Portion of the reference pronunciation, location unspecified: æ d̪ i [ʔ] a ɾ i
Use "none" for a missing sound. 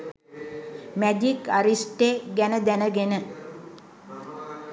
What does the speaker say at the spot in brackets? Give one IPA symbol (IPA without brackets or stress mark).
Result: k